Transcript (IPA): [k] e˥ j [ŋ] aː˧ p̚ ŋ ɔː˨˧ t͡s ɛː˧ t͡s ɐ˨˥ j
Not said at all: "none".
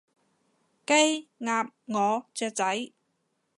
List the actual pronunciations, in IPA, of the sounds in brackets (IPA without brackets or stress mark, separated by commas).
k, ŋ